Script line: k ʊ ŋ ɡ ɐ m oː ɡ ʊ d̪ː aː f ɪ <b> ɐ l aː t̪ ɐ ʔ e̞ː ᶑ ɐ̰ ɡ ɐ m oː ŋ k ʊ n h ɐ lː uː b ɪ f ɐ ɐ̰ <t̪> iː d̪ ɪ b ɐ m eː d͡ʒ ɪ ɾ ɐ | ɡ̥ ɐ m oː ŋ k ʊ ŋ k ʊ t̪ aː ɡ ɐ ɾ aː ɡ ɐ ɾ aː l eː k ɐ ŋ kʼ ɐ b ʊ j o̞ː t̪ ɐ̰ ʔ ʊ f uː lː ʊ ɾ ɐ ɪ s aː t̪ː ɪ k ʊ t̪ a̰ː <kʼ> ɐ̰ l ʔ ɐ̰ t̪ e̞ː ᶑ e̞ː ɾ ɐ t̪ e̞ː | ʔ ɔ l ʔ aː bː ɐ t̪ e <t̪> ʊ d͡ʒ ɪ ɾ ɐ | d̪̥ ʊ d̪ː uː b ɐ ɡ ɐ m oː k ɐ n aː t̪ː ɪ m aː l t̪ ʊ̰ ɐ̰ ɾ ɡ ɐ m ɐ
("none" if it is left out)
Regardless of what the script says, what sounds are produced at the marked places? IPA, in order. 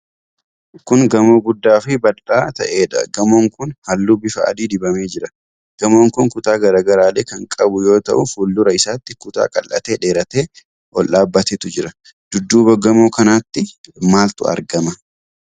b, d̪, kʼ, t̪

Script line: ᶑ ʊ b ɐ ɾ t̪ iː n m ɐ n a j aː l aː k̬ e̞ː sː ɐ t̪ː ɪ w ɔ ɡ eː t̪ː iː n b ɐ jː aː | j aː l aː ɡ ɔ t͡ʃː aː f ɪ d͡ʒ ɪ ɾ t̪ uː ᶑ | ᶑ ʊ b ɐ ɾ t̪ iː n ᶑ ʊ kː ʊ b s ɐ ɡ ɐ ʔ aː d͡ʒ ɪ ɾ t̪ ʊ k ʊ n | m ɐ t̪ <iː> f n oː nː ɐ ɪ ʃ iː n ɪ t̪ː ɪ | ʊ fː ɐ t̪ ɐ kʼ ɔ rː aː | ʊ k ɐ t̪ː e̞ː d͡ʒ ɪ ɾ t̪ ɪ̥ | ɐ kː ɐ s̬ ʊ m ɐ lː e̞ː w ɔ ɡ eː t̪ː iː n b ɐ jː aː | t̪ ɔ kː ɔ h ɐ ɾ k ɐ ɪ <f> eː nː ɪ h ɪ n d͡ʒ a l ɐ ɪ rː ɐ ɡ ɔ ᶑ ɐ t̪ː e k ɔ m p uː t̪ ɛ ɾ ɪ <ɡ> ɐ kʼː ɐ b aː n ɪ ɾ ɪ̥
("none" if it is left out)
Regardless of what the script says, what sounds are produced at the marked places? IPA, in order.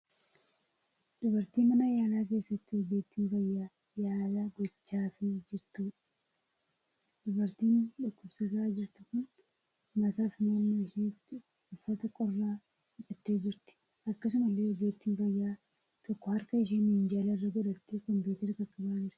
aː, ʃ, k

